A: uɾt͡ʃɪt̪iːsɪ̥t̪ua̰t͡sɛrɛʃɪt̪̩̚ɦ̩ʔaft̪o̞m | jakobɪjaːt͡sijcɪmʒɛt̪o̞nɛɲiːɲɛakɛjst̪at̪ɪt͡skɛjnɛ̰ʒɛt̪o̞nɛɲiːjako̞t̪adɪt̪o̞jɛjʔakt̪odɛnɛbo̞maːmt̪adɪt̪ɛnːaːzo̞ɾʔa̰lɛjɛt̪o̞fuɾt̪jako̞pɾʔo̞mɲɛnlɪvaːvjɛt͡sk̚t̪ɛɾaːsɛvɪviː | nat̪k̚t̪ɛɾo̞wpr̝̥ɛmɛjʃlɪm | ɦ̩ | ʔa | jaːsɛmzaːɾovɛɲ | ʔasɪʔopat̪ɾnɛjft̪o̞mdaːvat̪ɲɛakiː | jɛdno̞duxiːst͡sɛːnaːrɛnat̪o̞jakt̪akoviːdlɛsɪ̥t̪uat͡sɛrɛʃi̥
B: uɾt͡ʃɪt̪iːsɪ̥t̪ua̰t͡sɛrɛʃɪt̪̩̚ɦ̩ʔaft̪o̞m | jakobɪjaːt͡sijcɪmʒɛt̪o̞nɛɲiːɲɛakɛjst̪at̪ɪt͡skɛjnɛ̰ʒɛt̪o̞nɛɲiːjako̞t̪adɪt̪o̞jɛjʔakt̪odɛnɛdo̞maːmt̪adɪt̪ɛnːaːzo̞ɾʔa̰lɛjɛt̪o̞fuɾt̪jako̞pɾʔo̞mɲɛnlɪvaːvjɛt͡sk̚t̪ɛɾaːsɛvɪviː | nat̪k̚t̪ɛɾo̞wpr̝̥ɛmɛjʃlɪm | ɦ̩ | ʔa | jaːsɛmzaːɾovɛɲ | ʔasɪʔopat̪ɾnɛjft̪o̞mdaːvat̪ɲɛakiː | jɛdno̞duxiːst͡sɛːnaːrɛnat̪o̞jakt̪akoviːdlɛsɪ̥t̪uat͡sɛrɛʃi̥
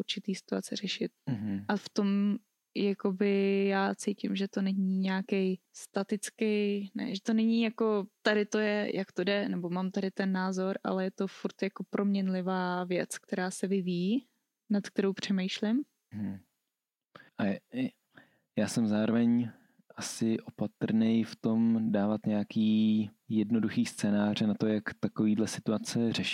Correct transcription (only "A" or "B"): A